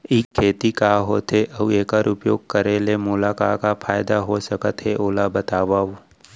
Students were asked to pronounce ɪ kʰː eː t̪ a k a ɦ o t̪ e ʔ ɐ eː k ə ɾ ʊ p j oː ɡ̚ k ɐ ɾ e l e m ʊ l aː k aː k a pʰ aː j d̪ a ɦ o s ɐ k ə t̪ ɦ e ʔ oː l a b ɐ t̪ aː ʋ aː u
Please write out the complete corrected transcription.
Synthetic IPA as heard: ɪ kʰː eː t̪ i k a ɦ o t̪ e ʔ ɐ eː k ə ɾ ʊ p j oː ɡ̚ k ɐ ɾ e l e m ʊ l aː k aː k a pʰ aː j d̪ a ɦ o s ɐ k ə t̪ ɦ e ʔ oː l a b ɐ t̪ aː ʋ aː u

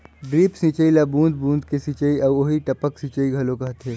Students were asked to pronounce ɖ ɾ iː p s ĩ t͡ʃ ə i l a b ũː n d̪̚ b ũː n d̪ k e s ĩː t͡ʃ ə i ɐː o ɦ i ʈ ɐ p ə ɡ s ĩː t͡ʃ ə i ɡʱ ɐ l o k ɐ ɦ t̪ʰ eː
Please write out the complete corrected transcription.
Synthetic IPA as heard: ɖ ɾ iː p s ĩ t͡ʃ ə i l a b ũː n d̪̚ b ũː n d̪ k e s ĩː t͡ʃ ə i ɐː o ɦ i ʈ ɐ p ə k s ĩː t͡ʃ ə i ɡʱ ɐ l o k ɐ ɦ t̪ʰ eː

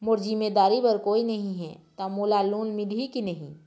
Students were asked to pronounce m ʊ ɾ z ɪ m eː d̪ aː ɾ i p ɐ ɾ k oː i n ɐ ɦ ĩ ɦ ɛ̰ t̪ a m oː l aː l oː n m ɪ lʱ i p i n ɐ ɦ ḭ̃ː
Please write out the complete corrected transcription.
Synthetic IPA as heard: m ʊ ɾ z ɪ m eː d̪ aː ɾ i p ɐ ɾ k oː i n ɐ ɦ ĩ ɦ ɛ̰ t̪ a m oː l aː l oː n m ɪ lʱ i k i n ɐ ɦ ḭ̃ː

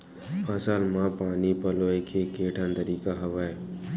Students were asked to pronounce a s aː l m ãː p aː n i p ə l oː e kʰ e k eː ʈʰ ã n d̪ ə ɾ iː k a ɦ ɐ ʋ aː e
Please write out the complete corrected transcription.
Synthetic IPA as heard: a s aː l m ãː p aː n i p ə l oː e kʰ e k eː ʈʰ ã n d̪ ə ɾ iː k a ɦ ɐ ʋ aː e

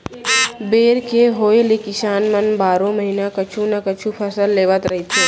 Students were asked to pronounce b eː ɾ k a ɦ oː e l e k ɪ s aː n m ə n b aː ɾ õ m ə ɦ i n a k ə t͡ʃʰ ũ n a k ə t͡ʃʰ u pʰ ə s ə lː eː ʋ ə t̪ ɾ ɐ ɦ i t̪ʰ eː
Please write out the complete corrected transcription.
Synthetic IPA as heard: b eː ɾ k e ɦ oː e l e k ɪ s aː n m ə n b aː ɾ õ m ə ɦ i n a k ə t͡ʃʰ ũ n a k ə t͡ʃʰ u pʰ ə s ə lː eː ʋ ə t̪ ɾ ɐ ɦ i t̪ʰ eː

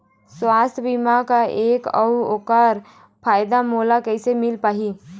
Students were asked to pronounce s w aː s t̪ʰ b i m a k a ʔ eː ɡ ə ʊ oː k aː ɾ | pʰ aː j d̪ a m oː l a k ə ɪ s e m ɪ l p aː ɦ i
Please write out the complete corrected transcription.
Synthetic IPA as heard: s w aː s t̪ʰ b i m a k a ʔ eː k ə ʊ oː k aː ɾ | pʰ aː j d̪ a m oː l a k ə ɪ s e m ɪ l p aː ɦ i

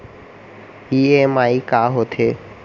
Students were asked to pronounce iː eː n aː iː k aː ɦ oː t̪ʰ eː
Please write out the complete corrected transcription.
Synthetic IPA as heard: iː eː m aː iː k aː ɦ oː t̪ʰ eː

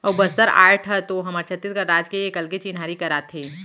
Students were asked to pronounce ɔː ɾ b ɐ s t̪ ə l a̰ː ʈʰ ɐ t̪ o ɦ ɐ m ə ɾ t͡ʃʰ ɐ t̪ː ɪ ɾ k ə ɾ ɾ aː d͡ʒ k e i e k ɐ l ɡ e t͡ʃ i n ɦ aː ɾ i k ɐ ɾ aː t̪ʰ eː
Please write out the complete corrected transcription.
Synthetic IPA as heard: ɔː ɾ b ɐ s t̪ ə ɾ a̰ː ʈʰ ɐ t̪ o ɦ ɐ m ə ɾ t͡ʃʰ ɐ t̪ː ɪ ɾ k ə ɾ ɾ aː d͡ʒ k e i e k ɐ l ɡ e t͡ʃ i n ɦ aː ɾ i k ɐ ɾ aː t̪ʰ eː

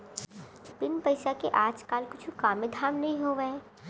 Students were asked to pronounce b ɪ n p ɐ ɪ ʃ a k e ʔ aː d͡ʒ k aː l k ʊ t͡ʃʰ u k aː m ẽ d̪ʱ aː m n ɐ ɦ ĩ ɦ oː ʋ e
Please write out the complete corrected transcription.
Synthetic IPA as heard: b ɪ n p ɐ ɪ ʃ a k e ʔ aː d͡ʒ k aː l k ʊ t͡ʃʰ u k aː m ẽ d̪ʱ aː m n ɐ ɦ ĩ ɦ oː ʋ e

